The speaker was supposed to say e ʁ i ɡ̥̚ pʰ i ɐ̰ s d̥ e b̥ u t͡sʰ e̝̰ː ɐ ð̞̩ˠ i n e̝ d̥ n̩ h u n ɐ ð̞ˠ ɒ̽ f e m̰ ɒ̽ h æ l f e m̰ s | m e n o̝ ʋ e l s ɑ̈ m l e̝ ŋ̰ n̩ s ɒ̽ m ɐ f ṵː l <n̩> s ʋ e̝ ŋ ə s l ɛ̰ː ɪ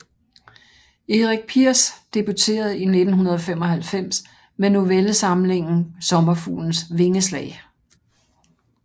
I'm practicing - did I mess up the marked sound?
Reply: no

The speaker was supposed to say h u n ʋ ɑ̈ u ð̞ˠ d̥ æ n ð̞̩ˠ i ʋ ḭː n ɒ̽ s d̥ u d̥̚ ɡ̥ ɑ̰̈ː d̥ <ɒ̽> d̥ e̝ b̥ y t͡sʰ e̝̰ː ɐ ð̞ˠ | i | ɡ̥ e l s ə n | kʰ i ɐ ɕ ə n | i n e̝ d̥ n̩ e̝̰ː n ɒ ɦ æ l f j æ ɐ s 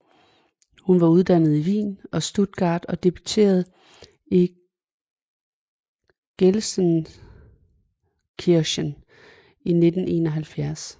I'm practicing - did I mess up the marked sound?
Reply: no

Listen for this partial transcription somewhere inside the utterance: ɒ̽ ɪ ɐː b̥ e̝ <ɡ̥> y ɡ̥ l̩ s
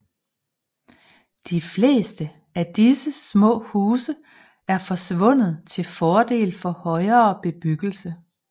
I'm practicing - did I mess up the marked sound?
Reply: yes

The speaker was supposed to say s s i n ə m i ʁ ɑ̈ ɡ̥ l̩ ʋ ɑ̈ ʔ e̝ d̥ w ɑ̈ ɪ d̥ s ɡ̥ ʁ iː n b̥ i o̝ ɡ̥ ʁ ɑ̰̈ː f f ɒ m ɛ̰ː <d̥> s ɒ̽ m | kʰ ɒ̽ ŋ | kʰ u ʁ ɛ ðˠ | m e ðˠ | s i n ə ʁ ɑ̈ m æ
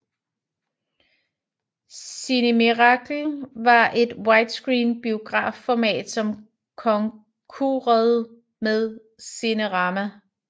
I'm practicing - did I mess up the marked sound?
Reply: no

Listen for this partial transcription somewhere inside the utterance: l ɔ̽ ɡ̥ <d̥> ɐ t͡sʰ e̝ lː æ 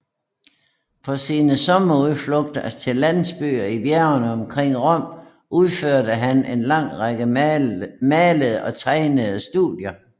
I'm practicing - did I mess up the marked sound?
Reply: no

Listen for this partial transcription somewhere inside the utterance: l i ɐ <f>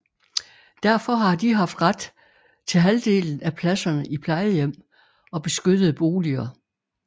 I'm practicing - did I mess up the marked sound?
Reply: yes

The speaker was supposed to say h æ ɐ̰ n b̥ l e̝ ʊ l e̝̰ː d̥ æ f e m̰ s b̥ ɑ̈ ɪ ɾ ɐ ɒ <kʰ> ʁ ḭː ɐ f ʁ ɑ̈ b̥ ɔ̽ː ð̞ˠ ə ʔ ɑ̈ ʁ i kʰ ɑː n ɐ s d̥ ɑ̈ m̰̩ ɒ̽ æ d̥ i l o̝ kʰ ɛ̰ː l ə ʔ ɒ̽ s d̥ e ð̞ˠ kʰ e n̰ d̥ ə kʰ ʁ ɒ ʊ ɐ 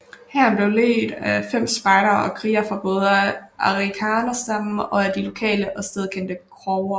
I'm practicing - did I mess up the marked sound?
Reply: no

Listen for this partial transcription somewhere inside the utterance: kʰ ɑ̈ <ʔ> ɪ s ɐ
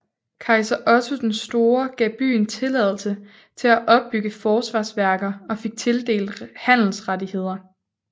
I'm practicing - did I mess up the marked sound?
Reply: yes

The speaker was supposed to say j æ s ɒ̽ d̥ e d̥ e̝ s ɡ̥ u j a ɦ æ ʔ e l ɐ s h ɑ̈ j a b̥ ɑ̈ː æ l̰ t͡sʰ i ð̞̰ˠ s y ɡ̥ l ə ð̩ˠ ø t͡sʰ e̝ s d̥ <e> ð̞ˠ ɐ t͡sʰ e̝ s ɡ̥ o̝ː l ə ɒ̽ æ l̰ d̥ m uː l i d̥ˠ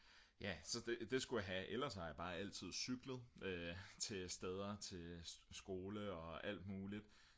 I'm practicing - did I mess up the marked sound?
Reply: no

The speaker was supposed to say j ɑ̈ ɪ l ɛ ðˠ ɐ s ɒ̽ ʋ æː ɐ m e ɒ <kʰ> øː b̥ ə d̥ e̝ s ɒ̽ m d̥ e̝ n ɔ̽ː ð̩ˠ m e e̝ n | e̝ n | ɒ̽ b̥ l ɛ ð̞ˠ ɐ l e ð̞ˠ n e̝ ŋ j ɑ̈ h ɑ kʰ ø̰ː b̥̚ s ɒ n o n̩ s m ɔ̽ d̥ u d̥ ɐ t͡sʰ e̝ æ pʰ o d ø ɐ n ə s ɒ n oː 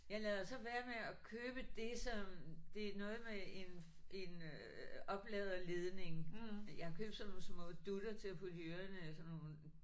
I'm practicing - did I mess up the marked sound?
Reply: no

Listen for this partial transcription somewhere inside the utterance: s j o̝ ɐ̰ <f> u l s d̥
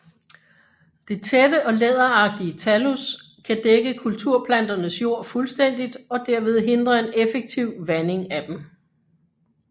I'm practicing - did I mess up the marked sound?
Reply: no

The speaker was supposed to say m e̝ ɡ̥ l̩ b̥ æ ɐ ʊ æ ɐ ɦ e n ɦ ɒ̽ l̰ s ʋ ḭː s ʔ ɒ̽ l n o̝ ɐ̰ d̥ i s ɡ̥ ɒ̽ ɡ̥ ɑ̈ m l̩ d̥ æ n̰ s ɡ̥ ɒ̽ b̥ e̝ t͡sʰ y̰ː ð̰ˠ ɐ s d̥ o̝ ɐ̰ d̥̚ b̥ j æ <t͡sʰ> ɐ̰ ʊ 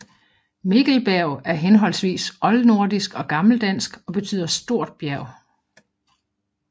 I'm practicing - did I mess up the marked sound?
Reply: yes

